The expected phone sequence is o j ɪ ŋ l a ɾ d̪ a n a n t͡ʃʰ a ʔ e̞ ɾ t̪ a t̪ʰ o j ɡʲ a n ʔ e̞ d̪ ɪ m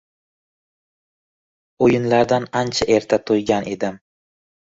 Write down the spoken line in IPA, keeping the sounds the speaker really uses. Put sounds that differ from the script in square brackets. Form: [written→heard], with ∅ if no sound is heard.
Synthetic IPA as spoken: o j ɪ [ŋ→n] l a ɾ d̪ a n a n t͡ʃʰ a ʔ e̞ ɾ [t̪→t̪ʰ] a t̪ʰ o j ɡʲ a n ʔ e̞ d̪ ɪ m

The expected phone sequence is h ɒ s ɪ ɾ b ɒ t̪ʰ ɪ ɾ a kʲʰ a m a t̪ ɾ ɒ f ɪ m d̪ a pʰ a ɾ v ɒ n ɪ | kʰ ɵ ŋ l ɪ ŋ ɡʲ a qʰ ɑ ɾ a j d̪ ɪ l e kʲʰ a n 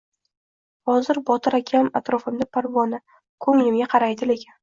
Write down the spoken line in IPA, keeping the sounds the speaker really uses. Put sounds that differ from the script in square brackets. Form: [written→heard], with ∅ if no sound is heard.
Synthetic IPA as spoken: h ɒ [s→z] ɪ ɾ b ɒ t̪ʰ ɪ ɾ a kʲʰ a m a t̪ ɾ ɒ f ɪ m d̪ a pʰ a ɾ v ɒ n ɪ | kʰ ɵ ŋ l ɪ [ŋ→m] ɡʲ a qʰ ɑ ɾ a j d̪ ɪ l e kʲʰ a n

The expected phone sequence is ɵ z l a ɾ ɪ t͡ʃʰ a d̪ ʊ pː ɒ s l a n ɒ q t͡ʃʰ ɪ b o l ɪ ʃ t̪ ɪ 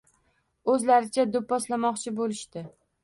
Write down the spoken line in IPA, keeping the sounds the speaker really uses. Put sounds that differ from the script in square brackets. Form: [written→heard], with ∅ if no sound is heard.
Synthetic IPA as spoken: ɵ z l a ɾ ɪ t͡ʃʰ a d̪ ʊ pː ɒ s l a [n→m] ɒ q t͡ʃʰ ɪ b o l ɪ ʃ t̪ ɪ

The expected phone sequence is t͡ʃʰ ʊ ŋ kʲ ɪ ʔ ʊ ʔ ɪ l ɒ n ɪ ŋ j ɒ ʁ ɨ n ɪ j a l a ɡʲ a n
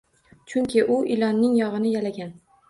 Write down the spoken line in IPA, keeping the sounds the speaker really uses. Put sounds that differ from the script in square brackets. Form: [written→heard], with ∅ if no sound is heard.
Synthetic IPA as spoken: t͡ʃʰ ʊ ŋ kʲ ɪ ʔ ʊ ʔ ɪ l ɒ [n→nː] ɪ ŋ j ɒ ʁ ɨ n ɪ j a l a ɡʲ a n

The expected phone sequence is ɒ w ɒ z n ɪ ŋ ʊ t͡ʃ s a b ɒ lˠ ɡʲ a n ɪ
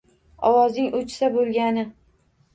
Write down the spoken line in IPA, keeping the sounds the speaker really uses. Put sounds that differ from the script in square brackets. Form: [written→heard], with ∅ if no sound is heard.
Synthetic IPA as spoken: ɒ w ɒ z n ɪ ŋ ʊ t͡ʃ s a b [ɒ→o] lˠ ɡʲ a n ɪ

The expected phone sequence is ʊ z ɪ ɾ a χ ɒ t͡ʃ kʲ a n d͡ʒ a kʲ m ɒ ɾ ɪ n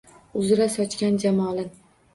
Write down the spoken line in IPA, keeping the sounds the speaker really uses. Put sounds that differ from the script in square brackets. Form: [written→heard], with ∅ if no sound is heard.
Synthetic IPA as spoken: ʊ z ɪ ɾ a [χ→s] ɒ t͡ʃ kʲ a n d͡ʒ a [kʲ→∅] m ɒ [ɾ→l] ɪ n

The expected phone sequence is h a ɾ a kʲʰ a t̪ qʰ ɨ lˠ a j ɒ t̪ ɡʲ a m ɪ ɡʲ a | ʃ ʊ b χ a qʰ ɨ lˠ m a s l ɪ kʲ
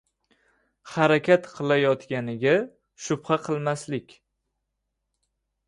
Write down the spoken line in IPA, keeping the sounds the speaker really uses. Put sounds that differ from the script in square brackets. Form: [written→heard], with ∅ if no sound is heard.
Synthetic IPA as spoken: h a ɾ a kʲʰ a t̪ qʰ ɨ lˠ a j ɒ t̪ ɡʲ a [m→n] ɪ ɡʲ a | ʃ ʊ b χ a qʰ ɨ lˠ m a s l ɪ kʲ

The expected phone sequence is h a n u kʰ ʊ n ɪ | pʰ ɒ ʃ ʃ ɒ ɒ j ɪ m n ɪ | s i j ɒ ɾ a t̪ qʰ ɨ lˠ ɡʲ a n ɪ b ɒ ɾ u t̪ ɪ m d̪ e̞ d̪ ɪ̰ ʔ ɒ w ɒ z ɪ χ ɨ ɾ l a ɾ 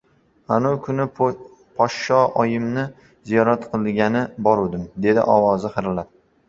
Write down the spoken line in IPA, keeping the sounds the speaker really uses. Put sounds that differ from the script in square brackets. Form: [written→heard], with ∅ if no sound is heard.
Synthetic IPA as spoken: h a n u kʰ ʊ n ɪ | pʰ ɒ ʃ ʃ ɒ ɒ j ɪ m n ɪ | [s→z] i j ɒ ɾ a t̪ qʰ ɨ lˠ ɡʲ a n ɪ b ɒ ɾ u [t̪→d̪] ɪ m d̪ e̞ d̪ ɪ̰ ʔ ɒ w ɒ z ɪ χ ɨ ɾ l a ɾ

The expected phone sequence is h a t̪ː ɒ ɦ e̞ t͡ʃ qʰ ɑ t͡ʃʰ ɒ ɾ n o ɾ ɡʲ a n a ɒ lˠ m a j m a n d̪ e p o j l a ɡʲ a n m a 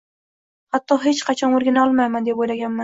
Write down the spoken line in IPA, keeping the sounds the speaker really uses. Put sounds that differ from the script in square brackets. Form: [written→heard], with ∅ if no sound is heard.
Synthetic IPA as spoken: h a t̪ː ɒ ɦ e̞ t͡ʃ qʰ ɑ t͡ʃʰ ɒ [ɾ→∅] n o ɾ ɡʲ a n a ɒ lˠ m a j m a n d̪ e p o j l a ɡʲ a n m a

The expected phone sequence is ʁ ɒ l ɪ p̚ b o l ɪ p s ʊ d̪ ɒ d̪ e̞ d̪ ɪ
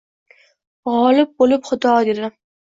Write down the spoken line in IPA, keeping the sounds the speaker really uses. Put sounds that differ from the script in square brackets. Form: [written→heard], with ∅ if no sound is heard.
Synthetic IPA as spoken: ʁ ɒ l ɪ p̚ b o l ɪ p [s→χ] ʊ d̪ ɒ d̪ e̞ d̪ ɪ

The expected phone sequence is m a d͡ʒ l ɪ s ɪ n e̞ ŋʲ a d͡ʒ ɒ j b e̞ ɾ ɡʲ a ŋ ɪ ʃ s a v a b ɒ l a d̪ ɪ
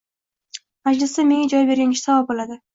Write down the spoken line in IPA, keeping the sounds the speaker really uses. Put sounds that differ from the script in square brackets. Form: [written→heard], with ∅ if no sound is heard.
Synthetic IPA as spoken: m a d͡ʒ l ɪ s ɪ [n→m] e̞ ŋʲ a d͡ʒ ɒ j b e̞ ɾ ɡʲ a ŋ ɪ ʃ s a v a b [ɒ→o] l a d̪ ɪ

